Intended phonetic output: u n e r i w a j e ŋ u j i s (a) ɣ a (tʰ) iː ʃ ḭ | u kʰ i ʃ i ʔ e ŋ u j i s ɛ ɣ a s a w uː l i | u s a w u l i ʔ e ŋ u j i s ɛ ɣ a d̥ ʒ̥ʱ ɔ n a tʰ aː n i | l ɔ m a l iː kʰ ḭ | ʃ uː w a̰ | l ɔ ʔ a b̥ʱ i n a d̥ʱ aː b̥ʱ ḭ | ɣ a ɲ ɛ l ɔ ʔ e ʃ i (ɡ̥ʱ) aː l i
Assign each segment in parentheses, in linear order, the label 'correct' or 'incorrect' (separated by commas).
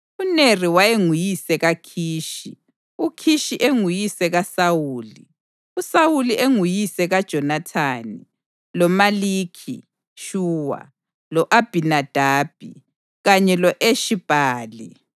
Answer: incorrect, incorrect, incorrect